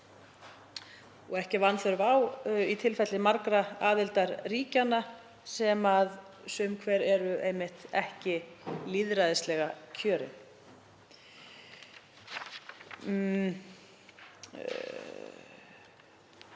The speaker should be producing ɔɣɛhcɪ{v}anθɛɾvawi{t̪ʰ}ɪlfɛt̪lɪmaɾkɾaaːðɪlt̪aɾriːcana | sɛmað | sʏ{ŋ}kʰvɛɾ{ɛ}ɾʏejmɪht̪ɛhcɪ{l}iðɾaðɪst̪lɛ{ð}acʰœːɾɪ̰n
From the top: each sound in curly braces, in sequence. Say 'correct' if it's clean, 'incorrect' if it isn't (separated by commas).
correct, correct, incorrect, correct, correct, incorrect